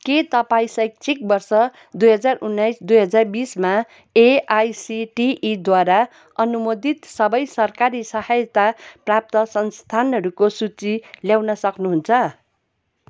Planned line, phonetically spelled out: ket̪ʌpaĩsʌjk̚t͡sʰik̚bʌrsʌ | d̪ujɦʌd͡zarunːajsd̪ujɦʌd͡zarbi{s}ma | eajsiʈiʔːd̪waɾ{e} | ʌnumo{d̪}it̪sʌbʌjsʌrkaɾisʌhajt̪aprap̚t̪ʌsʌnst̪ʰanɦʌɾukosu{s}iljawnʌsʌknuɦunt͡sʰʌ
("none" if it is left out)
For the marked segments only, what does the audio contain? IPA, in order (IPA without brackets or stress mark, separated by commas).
s, a, d̪, t͡s